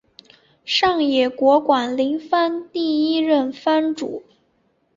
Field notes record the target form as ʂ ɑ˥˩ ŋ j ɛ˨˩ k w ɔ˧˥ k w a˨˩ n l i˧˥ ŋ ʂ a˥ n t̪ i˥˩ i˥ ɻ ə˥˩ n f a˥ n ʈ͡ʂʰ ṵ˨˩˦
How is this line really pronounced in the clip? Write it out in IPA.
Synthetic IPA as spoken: ʂ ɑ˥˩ ŋ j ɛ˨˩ k w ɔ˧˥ k w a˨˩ n l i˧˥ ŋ f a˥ n t̪ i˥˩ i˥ ɻ ə˥˩ n f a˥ n ʈ͡ʂ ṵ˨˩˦

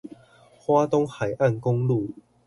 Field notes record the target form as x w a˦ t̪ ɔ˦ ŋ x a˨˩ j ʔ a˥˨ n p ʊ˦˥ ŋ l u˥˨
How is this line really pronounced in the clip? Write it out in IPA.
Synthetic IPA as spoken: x w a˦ t̪ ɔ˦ ŋ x a˨˩ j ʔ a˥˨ n k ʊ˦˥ ŋ l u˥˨

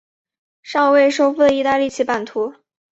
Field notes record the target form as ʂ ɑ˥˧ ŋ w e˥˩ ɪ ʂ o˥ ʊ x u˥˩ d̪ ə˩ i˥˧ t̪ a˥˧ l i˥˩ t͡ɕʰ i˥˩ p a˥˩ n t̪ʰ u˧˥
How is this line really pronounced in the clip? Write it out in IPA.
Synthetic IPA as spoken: ʂ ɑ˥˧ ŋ w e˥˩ ɪ ʂ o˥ ʊ f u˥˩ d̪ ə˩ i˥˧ t̪ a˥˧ l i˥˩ t͡ɕʰ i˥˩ p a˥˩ n t̪ʰ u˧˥

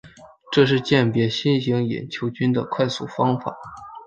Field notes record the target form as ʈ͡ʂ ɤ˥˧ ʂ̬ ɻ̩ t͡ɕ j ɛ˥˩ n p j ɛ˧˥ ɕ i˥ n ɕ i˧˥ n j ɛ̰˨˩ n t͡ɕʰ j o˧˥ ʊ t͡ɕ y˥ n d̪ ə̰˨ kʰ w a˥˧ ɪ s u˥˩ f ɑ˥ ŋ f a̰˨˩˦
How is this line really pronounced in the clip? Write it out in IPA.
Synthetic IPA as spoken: ʈ͡ʂ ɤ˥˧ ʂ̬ ɻ̩ t͡ɕ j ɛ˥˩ n p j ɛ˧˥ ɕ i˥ n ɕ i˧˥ ŋ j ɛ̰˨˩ n t͡ɕʰ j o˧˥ ʊ t͡ɕ y˥ n d̪ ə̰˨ kʰ w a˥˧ ɪ s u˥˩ f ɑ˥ ŋ f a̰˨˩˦

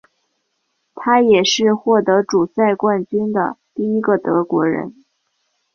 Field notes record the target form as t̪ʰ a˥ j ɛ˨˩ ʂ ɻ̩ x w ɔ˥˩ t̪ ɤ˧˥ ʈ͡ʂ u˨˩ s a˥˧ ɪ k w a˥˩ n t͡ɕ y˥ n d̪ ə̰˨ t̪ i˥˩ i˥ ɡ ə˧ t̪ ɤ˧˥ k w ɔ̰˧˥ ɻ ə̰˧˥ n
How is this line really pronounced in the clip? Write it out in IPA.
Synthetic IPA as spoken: t̪ʰ a˥ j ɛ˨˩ ʂ ɻ̩ x w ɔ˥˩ t̪ ɤ˧˥ ʈ͡ʂ u˨˩ s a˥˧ ɪ k w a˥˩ n t͡ɕ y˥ n d̪ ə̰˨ t̪ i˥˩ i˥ ɡ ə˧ t̪ ɤ˧˥ k w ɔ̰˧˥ ɻ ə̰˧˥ n

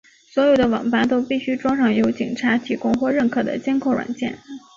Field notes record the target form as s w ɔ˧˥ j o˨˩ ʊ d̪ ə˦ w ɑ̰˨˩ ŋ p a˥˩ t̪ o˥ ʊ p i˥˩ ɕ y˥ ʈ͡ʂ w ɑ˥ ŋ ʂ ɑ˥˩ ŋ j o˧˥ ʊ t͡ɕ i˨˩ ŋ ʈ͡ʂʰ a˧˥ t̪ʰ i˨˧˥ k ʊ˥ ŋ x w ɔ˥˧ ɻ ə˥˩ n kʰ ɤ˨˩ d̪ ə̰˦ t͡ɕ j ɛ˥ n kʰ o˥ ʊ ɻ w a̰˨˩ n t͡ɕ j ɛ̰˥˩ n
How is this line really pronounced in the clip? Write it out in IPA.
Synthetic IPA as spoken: s w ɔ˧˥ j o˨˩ ʊ d̪ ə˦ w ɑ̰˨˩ ŋ p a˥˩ t̪ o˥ ʊ p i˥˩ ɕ y˥ ʈ͡ʂ w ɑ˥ ŋ ʂ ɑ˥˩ ŋ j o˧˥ ʊ t͡ɕ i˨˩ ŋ ʈ͡ʂʰ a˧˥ t̪ʰ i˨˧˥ k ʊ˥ ŋ x w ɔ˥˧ ɻ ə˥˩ n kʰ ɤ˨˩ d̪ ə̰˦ t͡ɕ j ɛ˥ n kʰ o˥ ʊ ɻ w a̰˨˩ n t͡ɕ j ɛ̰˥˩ n

